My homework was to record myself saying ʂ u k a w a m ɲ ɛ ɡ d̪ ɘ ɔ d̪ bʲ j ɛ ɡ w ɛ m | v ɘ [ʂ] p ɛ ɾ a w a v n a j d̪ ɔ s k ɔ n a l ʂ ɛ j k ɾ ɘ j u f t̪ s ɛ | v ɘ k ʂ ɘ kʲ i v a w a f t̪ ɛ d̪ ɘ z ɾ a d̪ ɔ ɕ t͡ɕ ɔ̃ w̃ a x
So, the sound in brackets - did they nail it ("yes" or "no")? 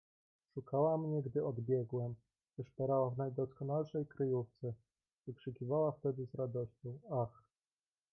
yes